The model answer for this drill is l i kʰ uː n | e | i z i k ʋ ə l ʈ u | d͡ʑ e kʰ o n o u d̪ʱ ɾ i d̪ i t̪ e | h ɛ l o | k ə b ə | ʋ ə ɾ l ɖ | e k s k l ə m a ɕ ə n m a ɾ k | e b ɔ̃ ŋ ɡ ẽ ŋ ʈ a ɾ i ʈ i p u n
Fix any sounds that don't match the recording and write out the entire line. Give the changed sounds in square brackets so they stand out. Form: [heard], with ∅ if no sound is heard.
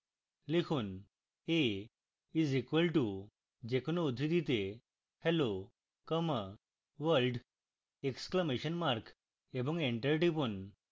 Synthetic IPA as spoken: l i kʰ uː n | e | i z i k ʋ ə l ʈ u | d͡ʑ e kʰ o n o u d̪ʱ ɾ i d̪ i t̪ e | h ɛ l o | k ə [m] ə | ʋ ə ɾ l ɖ | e k s k l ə m [e] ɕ ə n m a ɾ k | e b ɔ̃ ŋ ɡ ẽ [ɳ] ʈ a ɾ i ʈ i p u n

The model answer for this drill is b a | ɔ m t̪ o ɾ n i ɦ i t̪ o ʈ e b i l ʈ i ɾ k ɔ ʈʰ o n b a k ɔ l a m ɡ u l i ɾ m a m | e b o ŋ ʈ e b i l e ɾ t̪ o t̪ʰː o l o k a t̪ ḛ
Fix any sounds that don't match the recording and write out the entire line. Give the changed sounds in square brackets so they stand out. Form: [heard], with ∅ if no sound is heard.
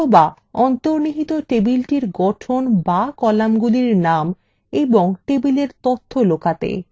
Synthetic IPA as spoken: b a | ɔ [n] t̪ o ɾ n i ɦ i t̪ o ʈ e b i l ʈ i ɾ [ɡ] ɔ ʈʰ o n b a k ɔ l a m ɡ u l i ɾ [n] a m | e b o ŋ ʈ e b i l e ɾ t̪ o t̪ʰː o l o k a t̪ ḛ

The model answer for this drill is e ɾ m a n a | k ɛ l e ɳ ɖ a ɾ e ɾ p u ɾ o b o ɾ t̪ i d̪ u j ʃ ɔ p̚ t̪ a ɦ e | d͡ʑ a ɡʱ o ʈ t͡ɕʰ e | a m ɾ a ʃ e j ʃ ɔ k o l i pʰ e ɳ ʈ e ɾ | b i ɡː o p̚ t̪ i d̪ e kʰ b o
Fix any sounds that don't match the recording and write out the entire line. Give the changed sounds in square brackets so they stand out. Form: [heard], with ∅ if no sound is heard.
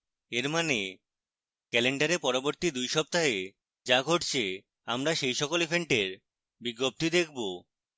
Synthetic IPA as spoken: e ɾ m a n [e] | k ɛ l e ɳ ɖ a ɾ e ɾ p [ɔ] ɾ o b o ɾ t̪ i d̪ u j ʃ ɔ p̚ t̪ a ɦ e | d͡ʑ a ɡʱ o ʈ t͡ɕʰ e | a m ɾ a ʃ e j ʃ ɔ k o l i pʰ e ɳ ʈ e ɾ | b i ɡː o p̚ t̪ i d̪ e kʰ b o

